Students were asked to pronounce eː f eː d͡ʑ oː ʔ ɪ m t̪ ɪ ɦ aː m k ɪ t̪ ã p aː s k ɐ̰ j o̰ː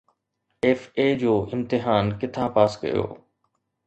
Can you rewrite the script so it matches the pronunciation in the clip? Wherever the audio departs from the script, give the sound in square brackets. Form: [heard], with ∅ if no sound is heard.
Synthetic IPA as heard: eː f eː d͡ʑ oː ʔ ɪ m t̪ ɪ ɦ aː [n] k ɪ [t̪ʰ] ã p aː s k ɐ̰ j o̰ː